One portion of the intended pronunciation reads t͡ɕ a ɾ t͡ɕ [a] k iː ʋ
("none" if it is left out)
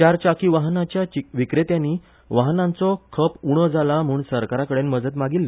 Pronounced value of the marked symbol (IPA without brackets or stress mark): a